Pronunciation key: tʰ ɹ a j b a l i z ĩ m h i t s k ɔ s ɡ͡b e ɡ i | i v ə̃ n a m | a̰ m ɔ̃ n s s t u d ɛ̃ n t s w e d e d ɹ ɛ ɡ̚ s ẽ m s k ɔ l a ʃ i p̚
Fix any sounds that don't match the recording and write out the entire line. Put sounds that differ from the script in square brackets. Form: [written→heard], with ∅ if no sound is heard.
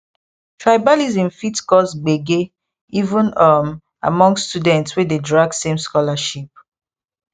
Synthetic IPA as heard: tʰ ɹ a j b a l i z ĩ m [h→f] i t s k ɔ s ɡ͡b e ɡ [i→e] | i v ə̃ n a m | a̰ m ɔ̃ [n→ŋ] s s t u d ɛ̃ n t s w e d e d ɹ [ɛ→a] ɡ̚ s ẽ m s k ɔ l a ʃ i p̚